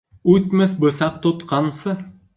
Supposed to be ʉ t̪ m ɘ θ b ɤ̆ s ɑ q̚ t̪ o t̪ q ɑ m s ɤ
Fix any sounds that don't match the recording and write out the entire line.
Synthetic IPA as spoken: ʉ t̪ m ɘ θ b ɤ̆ s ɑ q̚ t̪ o t̪ q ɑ n s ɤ

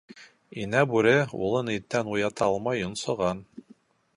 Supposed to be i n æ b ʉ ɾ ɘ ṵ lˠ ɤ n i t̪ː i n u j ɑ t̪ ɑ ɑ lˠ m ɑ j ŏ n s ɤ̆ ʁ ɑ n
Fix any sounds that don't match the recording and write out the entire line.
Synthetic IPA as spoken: i n æ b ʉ ɾ ɘ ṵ lˠ ɤ n i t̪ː æ n u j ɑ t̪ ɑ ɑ lˠ m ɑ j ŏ n s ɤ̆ ʁ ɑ n

